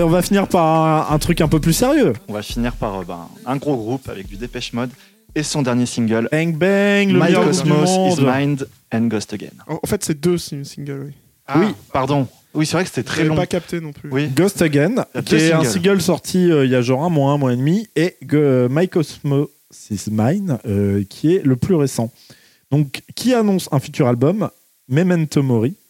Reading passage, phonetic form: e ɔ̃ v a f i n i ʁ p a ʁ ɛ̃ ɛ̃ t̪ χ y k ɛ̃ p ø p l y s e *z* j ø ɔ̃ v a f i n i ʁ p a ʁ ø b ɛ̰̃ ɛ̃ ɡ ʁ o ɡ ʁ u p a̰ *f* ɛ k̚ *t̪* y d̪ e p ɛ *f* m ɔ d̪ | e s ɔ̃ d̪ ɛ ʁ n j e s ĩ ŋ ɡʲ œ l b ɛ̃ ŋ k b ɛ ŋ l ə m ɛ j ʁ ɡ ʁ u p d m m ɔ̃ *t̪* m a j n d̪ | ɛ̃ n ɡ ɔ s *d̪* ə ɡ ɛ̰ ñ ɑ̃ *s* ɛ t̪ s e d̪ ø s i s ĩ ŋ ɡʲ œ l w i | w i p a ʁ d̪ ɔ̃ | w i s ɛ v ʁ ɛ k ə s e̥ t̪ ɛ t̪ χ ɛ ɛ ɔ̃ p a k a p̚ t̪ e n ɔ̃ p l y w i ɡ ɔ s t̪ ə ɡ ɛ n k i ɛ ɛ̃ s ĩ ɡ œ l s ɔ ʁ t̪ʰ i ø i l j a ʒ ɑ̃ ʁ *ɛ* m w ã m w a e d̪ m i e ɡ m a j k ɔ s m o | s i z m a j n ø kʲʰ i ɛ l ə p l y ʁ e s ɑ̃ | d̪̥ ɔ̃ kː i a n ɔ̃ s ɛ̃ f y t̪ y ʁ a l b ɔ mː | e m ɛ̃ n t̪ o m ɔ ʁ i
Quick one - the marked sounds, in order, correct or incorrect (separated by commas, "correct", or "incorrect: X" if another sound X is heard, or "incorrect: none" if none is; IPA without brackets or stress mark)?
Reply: incorrect: ʁ, incorrect: v, incorrect: d̪, incorrect: ʃ, incorrect: d̪, incorrect: t̪, incorrect: f, incorrect: ɛ̃